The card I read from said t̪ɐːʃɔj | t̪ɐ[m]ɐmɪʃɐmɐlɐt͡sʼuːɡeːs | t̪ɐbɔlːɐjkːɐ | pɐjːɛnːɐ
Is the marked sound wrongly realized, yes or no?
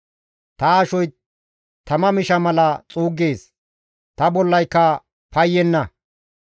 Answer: no